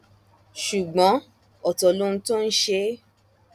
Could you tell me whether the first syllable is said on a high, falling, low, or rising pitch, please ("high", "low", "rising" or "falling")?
low